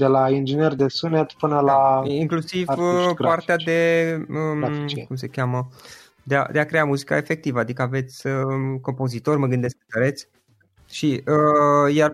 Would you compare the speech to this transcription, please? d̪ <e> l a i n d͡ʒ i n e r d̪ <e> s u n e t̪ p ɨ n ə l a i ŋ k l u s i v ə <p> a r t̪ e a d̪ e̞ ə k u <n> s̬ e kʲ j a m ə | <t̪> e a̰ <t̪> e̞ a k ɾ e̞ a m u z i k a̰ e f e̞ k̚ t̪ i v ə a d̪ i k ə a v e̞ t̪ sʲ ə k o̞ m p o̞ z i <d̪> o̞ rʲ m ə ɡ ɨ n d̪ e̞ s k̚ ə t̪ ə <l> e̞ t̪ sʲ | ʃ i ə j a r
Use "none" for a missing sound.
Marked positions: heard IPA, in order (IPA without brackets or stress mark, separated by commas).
e, e, p, m, d̪, d̪, t̪, ɾ